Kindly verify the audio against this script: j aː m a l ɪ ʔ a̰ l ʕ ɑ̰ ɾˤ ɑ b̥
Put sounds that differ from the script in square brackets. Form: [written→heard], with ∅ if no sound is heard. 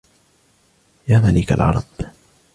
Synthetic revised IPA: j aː m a l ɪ [ʔ→k] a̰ l ʕ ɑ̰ ɾˤ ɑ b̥

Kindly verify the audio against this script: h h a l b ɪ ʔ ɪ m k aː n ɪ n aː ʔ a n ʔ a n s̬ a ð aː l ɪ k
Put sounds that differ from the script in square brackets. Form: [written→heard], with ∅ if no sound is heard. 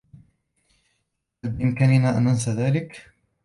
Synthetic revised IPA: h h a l b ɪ ʔ ɪ m k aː n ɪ n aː ʔ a n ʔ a n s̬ a ð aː l ɪ k

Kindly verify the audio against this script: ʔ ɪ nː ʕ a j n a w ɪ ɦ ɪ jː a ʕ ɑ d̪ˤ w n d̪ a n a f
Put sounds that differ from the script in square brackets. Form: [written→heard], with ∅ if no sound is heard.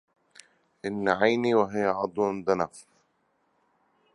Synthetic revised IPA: ʔ ɪ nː ʕ a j n [a→i] w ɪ ɦ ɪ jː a ʕ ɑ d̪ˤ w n d̪ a n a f

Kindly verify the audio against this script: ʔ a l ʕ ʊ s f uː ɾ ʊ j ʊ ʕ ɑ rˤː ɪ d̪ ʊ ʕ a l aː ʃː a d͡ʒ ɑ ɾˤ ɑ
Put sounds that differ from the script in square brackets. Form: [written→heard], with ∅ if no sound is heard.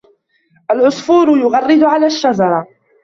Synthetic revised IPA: ʔ a l ʕ ʊ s f uː ɾ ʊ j ʊ [ʕ→ɣ] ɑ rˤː ɪ d̪ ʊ ʕ a l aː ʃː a d͡ʒ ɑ ɾˤ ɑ

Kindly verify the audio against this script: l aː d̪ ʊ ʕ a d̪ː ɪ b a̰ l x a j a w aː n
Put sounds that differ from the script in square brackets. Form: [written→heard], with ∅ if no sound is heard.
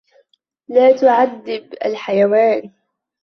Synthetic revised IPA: l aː [d̪→t̪] ʊ ʕ a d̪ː ɪ b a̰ l [x→ħ] a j a w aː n

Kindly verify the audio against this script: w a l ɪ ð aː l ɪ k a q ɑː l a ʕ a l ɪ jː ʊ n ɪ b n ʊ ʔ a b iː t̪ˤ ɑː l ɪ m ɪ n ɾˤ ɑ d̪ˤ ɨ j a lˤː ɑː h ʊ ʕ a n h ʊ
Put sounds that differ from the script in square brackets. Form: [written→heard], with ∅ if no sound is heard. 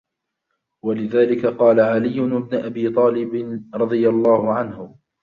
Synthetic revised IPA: w a l ɪ ð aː l ɪ k a q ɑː l a ʕ a l ɪ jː ʊ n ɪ b n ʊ ʔ a b iː t̪ˤ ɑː l ɪ [m→b] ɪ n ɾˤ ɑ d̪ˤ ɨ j a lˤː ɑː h ʊ ʕ a n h ʊ

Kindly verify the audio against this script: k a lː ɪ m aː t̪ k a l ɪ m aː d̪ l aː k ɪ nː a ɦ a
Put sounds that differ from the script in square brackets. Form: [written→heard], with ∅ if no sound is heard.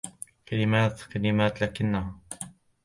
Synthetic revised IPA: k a [lː→l] ɪ m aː t̪ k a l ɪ m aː [d̪→t̪] l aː k ɪ nː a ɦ a

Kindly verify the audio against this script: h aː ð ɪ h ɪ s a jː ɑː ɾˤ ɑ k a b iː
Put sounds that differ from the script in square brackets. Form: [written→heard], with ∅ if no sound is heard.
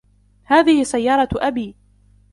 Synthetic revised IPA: h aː ð ɪ h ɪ s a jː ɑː ɾˤ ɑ [k→ʔ] a b iː

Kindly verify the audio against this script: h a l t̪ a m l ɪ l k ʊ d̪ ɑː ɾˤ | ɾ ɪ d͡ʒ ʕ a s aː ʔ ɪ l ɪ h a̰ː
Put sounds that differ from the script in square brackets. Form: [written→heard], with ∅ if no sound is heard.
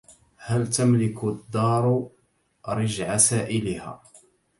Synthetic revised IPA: h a l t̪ a m l ɪ [l→∅] k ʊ [d̪→d̪ː] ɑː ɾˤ | ɾ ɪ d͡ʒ ʕ a s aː ʔ ɪ l ɪ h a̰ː

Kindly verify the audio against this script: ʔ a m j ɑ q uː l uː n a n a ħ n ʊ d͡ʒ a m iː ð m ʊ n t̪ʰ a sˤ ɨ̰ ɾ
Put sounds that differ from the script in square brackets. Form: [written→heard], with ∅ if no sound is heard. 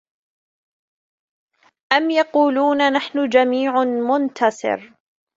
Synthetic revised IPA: ʔ a m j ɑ q uː l uː n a n a ħ n ʊ d͡ʒ a m iː [ð→ʕ] m ʊ n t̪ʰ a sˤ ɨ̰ ɾ

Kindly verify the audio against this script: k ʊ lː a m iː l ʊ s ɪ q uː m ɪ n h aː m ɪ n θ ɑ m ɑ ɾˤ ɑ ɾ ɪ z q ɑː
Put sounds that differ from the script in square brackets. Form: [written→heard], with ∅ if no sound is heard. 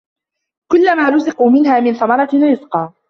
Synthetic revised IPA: k ʊ lː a m [iː→aː] l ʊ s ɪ q uː m ɪ n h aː m ɪ n θ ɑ m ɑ ɾˤ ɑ ɾ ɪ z q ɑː

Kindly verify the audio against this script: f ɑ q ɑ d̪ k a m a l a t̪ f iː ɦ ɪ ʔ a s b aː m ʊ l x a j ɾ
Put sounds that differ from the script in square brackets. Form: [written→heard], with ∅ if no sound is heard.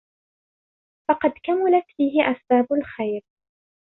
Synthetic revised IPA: f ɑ q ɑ d̪ k a m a l a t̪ f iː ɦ ɪ ʔ a s b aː [m→b] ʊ l x a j ɾ

